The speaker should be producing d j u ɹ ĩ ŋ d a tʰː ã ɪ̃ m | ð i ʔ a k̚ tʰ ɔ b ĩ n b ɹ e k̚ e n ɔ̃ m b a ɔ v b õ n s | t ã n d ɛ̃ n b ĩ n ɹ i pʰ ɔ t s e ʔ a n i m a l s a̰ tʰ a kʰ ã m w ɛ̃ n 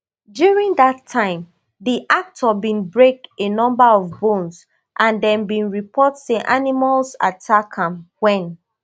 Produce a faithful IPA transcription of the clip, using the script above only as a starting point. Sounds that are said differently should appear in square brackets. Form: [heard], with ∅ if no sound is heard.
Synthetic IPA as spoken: d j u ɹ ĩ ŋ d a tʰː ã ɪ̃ m | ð i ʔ a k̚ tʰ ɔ b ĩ n b ɹ e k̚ e n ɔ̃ m b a ɔ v b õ n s | [ʔ] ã n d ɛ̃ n b ĩ n ɹ i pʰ ɔ t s e ʔ a n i m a l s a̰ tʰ a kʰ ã m w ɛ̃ n